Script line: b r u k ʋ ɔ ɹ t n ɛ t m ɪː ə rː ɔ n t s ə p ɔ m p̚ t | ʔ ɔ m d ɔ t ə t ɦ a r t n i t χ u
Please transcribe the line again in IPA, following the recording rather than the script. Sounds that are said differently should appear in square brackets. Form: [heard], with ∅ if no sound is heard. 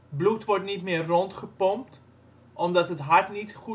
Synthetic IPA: b [l] u [t] ʋ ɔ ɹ t n [i] t m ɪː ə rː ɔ n t [χ] ə p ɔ m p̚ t | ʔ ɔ m d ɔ t ə t ɦ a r t n i t χ u

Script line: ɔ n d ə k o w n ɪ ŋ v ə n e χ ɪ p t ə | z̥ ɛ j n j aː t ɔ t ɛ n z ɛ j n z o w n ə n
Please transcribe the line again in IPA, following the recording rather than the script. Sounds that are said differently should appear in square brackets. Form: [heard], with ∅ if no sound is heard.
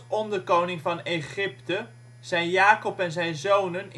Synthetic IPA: ɔ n d ə k o w n ɪ ŋ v [ɑ] n e χ ɪ p t ə | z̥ ɛ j n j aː [k] ɔ [p] ɛ n z ɛ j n z o w n ə n

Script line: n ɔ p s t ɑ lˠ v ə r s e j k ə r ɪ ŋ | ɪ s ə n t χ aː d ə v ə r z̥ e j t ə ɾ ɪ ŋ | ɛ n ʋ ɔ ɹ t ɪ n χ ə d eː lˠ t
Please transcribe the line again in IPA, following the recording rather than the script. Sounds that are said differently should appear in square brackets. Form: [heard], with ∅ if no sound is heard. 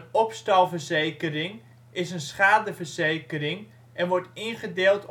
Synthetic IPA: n ɔ p s t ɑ lˠ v ə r [z] e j k ə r ɪ ŋ | ɪ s ə n [s] χ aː d ə v ə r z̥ e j [k] ə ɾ ɪ ŋ | ɛ n ʋ ɔ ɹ t ɪ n χ ə d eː lˠ t

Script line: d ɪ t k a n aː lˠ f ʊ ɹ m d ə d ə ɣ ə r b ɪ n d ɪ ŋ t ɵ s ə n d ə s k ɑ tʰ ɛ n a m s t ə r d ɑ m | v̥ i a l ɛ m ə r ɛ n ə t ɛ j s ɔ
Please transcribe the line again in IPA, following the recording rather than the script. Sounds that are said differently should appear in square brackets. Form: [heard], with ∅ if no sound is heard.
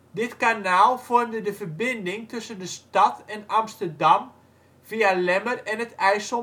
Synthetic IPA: d ɪ t k a n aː lˠ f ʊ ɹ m d ə d ə [v] ə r b ɪ n d ɪ ŋ t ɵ s ə n d ə s [t] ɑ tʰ ɛ n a m s t ə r d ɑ m | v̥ i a l ɛ m ə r ɛ n ə t ɛ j s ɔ

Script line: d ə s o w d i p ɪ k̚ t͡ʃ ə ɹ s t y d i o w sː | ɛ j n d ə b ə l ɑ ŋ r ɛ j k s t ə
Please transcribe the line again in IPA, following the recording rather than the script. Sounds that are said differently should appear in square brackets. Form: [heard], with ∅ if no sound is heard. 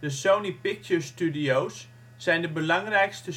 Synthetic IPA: d ə s o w [n] i p ɪ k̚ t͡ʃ ə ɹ s t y d i o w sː | ɛ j n d ə b ə l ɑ ŋ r ɛ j k s t ə

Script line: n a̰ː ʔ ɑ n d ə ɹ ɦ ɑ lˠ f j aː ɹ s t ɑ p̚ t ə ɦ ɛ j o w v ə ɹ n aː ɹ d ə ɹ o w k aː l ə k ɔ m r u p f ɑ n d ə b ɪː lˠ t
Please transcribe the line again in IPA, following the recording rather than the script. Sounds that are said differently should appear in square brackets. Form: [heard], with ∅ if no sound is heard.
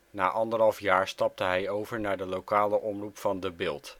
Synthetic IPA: n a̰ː ʔ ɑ n d ə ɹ ɦ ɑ lˠ f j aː ɹ s t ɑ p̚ t ə ɦ ɛ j o w v ə ɹ n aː ɹ d ə [l] o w k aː l ə [ʔ] ɔ m r u p f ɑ n d ə b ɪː lˠ t

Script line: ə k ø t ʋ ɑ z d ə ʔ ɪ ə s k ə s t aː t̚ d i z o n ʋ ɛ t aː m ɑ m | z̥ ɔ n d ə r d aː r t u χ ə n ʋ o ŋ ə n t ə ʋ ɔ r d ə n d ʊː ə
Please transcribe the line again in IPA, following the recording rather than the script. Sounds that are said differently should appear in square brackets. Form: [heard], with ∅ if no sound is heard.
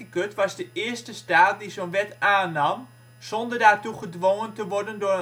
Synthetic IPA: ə k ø t ʋ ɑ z d ə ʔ ɪ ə s [t] ə s t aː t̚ d i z o n ʋ ɛ t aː [n] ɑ m | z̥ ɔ n d ə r d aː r t u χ ə [d] ʋ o ŋ ə n t ə ʋ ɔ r d ə n d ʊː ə

